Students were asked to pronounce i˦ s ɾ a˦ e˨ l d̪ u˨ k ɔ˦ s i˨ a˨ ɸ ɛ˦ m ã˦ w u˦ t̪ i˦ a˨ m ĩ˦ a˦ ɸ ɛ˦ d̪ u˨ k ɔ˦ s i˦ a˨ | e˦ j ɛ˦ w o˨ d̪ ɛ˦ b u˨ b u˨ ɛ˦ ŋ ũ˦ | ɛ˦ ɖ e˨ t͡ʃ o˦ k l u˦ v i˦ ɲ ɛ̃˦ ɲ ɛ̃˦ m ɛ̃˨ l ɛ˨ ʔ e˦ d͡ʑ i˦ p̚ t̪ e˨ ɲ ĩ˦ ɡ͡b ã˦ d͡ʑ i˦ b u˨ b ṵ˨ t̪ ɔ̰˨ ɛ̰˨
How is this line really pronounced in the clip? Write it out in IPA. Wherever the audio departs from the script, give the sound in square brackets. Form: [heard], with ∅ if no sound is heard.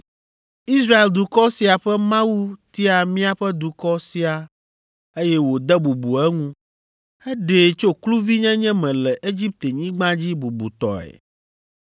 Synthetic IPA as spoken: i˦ s ɾ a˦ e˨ l d̪ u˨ k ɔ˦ s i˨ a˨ ɸ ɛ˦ m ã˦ w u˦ t̪ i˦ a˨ m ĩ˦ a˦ ɸ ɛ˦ d̪ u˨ k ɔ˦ s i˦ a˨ | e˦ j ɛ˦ w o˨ d̪ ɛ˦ b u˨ b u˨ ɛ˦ ŋ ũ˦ | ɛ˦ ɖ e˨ t͡ʃ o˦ k l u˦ v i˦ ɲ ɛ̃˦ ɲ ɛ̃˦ m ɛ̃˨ l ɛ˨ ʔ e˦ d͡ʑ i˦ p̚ t̪ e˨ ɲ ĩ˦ ɡ͡b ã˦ d͡ʑ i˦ b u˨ b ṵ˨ t̪ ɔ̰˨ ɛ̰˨